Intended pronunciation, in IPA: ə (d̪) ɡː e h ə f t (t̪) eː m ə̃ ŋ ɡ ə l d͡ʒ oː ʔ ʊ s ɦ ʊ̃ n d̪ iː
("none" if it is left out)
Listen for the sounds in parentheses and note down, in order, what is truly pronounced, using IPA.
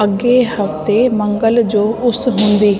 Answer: none, t̪

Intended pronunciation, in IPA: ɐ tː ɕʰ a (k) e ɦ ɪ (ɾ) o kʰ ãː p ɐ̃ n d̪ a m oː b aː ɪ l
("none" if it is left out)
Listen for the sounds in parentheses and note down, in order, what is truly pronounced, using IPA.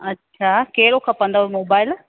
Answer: k, ɾ

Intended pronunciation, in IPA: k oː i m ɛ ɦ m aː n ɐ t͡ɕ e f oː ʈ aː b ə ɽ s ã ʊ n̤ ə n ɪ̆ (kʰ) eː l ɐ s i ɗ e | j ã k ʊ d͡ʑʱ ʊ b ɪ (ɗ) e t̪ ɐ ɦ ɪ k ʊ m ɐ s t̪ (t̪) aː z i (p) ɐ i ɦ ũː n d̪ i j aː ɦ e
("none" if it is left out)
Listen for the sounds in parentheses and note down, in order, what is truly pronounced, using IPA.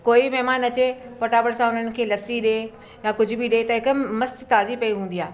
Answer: kʰ, ɗ, t̪, p

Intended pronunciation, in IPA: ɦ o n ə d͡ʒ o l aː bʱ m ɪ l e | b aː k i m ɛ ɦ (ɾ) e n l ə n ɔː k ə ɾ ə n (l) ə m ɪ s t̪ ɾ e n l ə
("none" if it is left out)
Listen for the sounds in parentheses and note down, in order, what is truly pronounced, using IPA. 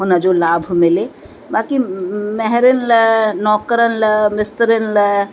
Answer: ɾ, l

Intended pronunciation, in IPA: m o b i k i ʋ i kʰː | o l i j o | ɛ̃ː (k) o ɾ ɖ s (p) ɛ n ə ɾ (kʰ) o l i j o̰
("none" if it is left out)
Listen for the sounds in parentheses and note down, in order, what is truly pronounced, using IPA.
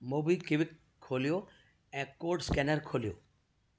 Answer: k, k, kʰ

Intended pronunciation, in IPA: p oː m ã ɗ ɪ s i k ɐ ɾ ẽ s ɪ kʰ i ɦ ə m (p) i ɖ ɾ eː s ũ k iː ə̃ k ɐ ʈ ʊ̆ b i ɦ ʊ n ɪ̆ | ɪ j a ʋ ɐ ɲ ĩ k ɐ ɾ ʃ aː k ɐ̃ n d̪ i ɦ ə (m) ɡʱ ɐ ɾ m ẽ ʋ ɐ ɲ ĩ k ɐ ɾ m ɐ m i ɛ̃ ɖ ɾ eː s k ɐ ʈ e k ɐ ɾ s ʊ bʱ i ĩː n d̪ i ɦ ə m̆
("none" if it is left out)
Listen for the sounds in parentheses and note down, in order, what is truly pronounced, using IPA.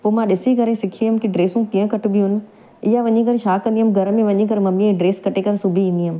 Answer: k, m

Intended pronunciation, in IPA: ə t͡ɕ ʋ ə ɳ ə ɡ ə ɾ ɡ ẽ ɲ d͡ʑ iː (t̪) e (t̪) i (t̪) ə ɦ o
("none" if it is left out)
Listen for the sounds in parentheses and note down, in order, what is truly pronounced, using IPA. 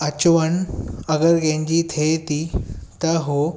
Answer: t̪ʰ, t̪, t̪

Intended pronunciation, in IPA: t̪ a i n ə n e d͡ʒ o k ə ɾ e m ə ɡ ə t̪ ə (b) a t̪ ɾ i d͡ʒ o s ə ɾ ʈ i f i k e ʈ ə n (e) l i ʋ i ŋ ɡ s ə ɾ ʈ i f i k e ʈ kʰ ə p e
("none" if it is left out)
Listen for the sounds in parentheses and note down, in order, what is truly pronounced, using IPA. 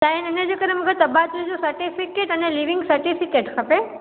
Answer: b, e

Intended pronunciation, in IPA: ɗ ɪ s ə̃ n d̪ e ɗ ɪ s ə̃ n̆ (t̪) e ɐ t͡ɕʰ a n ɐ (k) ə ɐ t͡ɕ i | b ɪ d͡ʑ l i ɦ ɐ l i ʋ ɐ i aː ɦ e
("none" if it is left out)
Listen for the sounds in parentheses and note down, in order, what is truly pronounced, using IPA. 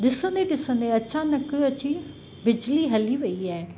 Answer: d̪, k

